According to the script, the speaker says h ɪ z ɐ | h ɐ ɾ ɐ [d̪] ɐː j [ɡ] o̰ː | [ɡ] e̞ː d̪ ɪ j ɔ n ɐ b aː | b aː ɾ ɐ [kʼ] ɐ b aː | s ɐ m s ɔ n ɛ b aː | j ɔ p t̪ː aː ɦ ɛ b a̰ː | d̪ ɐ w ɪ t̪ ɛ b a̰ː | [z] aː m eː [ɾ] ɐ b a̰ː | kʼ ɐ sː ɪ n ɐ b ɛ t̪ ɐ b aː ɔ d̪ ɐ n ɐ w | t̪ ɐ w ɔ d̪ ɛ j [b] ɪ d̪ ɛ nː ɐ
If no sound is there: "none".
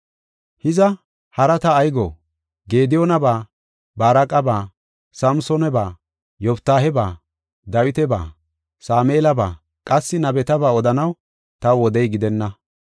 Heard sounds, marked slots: t̪, ɡ, ɡ, kʼ, s, l, ɡ

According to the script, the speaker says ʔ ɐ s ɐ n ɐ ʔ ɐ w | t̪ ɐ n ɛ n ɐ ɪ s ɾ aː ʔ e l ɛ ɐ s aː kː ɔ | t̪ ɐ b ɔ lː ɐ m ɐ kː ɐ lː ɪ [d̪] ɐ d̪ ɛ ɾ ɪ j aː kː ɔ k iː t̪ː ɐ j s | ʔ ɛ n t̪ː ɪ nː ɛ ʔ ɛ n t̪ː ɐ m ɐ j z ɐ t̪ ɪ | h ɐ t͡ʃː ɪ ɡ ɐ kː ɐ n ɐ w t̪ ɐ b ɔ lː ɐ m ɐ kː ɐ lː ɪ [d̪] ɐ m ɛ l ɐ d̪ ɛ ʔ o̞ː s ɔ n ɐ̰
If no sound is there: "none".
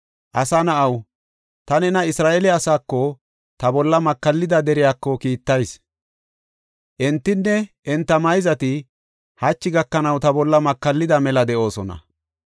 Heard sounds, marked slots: d̪, d̪

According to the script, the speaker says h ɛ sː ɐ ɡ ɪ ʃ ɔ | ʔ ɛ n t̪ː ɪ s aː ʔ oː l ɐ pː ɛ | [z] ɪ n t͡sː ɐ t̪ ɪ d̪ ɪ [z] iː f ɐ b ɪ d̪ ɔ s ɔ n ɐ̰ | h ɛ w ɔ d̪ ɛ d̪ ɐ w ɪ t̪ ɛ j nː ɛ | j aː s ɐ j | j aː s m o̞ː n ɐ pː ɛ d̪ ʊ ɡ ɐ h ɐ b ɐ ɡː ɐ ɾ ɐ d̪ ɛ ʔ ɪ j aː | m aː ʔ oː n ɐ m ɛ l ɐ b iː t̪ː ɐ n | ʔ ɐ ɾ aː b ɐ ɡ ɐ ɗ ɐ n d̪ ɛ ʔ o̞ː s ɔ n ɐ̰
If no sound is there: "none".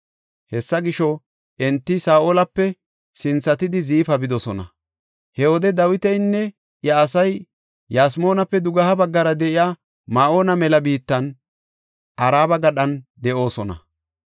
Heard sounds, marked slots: s, z

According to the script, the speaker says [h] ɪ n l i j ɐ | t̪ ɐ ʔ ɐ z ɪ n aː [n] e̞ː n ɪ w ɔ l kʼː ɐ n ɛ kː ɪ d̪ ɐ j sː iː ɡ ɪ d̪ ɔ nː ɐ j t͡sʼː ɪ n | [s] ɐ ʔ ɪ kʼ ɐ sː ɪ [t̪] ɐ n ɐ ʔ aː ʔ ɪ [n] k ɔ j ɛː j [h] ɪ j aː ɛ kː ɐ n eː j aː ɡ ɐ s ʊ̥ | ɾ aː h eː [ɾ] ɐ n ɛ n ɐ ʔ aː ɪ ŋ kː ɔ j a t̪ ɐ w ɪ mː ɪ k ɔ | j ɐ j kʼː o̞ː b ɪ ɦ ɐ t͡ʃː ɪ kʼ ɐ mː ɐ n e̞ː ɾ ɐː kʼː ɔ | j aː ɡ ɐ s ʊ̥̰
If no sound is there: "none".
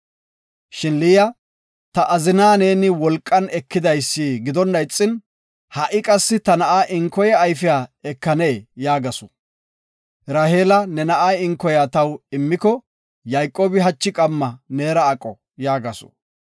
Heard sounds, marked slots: ʃ, n, h, t̪, ŋ, f, l

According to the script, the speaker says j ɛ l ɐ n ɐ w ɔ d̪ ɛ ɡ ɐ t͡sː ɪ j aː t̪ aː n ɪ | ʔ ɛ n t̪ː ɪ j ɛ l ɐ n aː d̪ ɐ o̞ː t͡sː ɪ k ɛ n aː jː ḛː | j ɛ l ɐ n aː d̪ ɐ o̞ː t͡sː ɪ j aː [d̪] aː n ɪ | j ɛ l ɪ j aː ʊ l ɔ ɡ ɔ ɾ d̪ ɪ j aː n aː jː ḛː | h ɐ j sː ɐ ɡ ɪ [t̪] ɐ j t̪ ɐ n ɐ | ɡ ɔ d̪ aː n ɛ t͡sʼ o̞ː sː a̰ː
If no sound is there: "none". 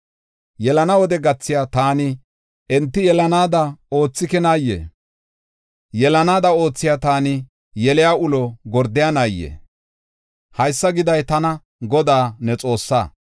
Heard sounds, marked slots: t̪, d̪

